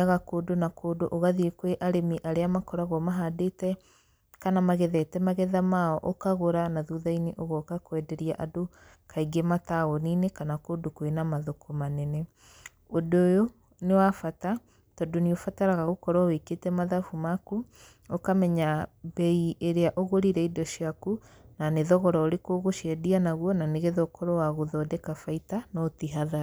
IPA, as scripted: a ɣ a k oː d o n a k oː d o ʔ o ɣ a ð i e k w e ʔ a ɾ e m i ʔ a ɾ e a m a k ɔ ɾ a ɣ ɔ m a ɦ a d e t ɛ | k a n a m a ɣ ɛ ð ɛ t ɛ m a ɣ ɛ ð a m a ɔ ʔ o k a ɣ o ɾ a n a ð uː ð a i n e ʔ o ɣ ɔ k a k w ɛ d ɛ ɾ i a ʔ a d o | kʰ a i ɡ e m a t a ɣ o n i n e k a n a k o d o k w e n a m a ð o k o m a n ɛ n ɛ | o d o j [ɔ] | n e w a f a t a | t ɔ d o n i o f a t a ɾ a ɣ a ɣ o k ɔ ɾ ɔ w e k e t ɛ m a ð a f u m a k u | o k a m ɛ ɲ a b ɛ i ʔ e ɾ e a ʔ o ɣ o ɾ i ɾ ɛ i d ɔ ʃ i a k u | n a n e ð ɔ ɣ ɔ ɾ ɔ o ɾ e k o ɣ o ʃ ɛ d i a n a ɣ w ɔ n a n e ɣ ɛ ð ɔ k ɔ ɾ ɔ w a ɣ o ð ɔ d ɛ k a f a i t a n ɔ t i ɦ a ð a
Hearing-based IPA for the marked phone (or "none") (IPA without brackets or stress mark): o